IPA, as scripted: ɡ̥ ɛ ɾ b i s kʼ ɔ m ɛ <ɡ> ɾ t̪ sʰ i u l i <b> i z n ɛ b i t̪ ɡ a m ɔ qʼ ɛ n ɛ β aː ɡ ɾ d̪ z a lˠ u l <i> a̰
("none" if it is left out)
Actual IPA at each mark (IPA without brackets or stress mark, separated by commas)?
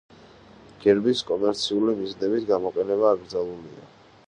none, m, i